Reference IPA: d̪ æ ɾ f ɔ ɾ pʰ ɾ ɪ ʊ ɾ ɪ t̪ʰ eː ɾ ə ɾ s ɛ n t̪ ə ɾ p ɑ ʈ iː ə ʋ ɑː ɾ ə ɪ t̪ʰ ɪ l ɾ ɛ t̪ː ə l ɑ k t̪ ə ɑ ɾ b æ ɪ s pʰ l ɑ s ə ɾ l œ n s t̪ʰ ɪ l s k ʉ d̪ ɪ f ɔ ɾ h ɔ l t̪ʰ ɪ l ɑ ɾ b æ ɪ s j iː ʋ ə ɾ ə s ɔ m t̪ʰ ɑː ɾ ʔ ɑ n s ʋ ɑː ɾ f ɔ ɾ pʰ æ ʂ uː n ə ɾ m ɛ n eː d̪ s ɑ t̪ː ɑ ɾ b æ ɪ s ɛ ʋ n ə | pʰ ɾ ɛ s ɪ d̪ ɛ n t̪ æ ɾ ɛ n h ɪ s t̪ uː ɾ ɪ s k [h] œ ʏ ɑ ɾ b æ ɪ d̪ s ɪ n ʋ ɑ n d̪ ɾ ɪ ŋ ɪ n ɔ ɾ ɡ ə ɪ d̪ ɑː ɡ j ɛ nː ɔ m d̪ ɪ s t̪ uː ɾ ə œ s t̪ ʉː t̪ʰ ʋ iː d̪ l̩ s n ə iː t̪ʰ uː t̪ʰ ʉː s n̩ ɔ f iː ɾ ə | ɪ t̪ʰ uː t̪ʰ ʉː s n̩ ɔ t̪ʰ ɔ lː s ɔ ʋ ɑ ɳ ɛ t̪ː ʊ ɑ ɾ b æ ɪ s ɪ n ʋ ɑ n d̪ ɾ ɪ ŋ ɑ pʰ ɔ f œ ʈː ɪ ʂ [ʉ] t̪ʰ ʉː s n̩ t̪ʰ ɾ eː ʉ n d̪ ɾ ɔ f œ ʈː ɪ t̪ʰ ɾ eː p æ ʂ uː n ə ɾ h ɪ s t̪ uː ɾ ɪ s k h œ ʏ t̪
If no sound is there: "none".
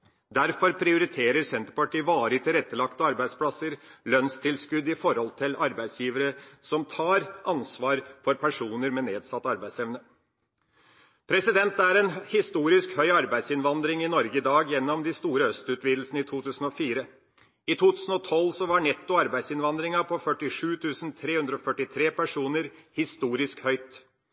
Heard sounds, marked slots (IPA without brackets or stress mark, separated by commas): h, ʉː